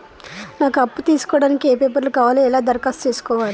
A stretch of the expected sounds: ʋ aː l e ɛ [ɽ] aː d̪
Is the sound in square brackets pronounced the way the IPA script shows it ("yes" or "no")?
no